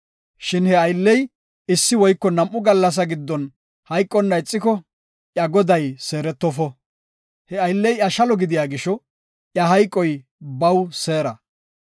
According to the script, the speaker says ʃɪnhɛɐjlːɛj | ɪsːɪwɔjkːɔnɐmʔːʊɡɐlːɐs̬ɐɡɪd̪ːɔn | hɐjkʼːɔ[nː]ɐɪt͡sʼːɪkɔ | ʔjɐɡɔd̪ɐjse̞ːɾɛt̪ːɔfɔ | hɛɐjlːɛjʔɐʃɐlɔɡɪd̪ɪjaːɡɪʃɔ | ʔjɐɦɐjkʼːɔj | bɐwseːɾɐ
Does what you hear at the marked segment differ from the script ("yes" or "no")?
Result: no